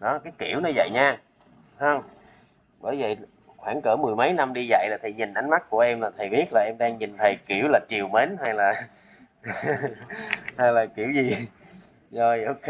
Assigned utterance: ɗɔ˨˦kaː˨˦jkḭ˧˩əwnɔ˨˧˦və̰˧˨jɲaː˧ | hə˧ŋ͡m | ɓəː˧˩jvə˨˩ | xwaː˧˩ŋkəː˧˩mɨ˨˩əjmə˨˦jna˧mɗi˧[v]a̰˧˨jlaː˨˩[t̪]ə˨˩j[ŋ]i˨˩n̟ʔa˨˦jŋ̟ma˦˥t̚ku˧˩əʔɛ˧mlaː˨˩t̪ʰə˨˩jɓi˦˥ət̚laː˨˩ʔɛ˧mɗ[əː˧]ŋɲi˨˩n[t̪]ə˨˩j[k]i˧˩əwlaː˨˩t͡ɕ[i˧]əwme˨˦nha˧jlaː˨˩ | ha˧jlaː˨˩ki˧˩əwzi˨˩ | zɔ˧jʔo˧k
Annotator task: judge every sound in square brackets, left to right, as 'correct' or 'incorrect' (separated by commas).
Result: incorrect, incorrect, incorrect, incorrect, incorrect, correct, incorrect